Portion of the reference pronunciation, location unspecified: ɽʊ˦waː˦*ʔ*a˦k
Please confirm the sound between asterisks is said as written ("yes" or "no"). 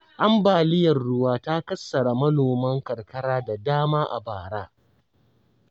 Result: no